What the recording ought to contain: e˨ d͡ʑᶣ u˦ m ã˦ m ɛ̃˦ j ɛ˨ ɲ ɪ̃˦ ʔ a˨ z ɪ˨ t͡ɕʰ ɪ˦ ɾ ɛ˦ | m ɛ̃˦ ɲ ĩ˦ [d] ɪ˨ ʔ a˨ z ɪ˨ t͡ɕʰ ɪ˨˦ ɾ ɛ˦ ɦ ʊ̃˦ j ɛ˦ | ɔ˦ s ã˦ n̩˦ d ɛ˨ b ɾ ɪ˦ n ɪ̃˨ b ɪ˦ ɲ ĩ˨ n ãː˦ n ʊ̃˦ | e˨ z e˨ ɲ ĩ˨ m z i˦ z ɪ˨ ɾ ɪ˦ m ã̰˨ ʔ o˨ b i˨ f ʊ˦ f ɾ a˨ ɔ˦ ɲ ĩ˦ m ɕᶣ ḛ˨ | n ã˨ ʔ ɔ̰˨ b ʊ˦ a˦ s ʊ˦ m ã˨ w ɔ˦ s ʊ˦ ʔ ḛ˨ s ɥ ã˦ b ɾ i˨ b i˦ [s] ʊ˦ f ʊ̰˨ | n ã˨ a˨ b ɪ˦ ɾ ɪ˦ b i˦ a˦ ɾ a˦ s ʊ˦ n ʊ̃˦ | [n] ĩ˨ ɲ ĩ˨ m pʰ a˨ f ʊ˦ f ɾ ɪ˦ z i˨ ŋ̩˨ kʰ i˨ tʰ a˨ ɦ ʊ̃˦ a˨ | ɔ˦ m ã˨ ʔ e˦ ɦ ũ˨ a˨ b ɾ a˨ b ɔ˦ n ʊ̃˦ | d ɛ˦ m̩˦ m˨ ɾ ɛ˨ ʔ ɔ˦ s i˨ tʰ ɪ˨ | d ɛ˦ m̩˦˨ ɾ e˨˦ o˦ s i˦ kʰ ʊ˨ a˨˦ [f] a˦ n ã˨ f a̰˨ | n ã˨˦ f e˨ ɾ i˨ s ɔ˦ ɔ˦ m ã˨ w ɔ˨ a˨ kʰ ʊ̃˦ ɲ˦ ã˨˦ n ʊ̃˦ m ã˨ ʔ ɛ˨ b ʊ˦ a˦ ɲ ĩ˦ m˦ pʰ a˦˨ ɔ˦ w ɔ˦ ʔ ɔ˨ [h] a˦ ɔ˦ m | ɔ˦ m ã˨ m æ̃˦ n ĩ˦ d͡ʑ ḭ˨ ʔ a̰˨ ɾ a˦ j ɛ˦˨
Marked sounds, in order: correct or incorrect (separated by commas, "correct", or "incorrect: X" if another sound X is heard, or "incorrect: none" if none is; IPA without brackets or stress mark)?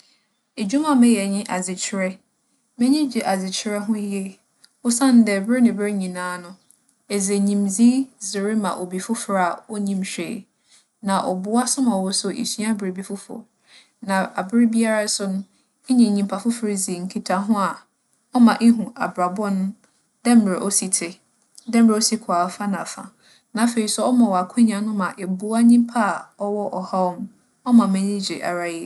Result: incorrect: d͡ʑ, incorrect: f, incorrect: ɲ, correct, correct